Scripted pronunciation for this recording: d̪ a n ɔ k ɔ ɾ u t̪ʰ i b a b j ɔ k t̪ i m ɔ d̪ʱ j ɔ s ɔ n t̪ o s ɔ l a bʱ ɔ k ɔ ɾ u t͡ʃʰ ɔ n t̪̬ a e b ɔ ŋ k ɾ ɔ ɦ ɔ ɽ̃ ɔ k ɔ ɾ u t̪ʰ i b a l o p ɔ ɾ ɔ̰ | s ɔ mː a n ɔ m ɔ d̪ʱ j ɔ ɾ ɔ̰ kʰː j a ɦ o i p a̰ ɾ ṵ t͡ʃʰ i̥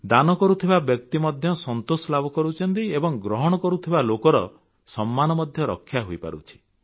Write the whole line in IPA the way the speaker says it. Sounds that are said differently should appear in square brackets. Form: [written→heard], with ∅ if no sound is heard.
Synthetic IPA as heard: d̪ a n ɔ k ɔ ɾ u t̪ʰ i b a b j ɔ k t̪ i m ɔ d̪ʱ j ɔ s ɔ n t̪ o s ɔ l a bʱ ɔ k ɔ ɾ u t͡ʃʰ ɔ n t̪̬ [a→i] e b ɔ ŋ [k→ɡ] ɾ ɔ ɦ ɔ ɽ̃ ɔ k ɔ ɾ u t̪ʰ i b a l o [p→k] ɔ ɾ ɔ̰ | s ɔ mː a n ɔ m ɔ d̪ʱ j ɔ ɾ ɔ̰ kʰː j a ɦ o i p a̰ ɾ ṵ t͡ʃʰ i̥